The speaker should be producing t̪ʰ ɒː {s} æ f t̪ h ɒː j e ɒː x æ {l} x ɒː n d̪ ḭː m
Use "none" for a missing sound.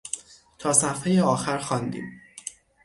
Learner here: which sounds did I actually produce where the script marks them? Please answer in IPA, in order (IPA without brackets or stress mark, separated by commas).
s, ɾ